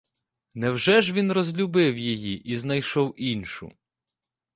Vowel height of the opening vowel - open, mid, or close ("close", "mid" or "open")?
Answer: mid